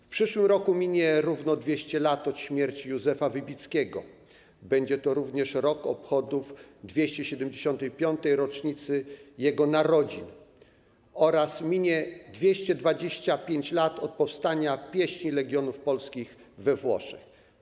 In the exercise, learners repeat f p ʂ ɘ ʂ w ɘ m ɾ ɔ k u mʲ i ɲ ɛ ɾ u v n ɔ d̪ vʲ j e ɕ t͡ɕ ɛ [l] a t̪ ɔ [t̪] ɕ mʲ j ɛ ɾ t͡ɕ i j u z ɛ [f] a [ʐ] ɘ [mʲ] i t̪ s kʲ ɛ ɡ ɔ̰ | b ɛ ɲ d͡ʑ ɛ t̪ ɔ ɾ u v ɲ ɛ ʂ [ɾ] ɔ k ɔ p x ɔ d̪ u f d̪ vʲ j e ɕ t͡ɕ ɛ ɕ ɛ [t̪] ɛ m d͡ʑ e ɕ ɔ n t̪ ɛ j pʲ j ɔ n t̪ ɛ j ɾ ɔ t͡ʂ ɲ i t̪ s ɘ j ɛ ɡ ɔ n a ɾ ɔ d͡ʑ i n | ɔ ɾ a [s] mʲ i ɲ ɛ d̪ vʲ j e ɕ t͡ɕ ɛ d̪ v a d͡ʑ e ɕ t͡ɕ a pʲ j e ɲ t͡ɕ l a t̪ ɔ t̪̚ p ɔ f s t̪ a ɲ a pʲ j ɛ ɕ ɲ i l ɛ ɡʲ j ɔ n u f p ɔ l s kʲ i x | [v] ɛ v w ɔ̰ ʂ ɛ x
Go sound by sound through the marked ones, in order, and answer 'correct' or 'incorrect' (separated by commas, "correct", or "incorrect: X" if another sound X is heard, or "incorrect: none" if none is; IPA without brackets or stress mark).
correct, correct, correct, incorrect: v, incorrect: bʲ, correct, incorrect: d̪, correct, correct